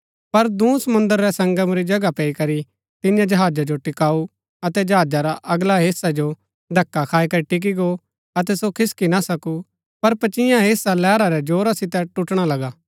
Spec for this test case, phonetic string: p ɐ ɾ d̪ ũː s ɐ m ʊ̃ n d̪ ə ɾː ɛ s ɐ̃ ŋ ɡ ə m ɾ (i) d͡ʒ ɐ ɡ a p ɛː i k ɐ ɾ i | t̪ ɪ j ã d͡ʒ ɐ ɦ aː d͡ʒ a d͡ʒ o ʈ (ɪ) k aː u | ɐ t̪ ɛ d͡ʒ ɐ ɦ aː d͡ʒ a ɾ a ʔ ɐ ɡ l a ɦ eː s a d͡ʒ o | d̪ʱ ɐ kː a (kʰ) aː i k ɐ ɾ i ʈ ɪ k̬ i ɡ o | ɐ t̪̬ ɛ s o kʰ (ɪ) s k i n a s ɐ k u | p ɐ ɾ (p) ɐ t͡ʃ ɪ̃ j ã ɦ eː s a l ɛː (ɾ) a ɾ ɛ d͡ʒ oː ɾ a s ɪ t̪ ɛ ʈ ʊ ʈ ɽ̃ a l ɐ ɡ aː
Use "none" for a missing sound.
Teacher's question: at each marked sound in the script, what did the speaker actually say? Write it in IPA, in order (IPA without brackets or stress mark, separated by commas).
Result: i, ɪ, kʰ, ɪ, p, ɾ